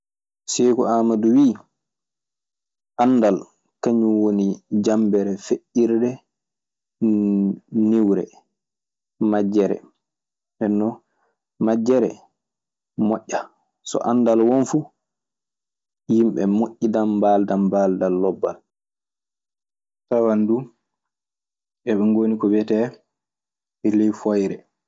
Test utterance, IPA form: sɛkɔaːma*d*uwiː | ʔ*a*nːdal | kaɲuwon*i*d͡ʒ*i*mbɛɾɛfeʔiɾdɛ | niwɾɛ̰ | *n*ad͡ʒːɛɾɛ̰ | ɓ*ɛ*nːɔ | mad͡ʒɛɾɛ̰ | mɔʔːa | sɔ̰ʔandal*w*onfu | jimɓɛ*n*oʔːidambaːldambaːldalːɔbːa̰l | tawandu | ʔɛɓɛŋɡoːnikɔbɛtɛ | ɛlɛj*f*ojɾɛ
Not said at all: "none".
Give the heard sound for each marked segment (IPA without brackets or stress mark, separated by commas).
d, a, i, a, m, ɛ, w, m, f